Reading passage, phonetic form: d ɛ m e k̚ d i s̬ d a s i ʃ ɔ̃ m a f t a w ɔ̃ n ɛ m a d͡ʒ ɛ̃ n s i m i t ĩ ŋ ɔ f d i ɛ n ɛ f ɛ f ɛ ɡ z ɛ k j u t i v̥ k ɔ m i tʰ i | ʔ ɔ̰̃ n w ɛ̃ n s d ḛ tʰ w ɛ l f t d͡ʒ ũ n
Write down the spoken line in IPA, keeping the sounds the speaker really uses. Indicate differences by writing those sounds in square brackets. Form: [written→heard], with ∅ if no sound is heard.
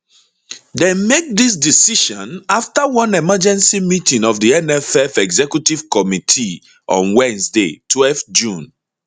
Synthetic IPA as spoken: d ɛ m e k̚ d i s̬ d [a→i] s i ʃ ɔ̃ [m→n] a f t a w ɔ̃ n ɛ m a d͡ʒ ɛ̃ n s i m i t ĩ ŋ ɔ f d i ɛ n ɛ f ɛ f ɛ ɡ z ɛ k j u t i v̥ k ɔ m i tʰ i | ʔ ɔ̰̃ n w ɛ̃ n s d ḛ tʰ w ɛ l f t d͡ʒ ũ n